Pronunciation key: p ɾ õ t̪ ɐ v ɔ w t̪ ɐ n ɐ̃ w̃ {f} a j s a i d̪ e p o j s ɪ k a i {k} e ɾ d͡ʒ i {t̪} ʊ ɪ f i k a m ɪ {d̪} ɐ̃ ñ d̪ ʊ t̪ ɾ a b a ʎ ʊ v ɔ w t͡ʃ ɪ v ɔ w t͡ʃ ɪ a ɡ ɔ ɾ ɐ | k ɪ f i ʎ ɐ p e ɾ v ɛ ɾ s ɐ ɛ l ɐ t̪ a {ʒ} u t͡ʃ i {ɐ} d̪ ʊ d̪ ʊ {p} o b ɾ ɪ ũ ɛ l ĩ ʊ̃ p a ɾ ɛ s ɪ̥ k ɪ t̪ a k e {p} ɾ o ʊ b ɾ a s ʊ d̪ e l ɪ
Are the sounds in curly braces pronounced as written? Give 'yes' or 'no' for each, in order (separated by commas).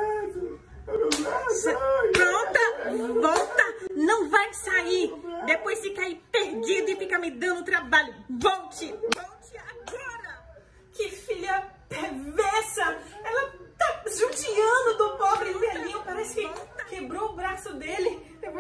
no, no, no, yes, yes, no, yes, no